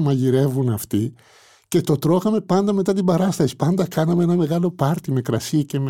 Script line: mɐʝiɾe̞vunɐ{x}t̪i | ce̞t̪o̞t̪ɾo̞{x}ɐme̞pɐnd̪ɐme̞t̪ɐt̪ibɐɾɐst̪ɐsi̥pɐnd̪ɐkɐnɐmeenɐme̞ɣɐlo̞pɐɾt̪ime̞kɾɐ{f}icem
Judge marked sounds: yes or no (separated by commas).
no, yes, no